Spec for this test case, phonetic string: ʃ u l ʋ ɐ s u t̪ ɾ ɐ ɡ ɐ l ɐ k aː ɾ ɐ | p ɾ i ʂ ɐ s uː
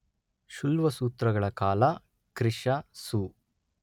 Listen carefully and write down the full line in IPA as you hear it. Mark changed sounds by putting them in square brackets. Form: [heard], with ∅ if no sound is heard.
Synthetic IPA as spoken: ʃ u l ʋ ɐ s [uː] t̪ ɾ ɐ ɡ ɐ [ɭ] ɐ k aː [l] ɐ | [k] ɾ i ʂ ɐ s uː